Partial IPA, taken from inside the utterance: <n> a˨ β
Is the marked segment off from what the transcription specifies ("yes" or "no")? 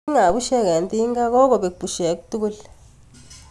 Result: yes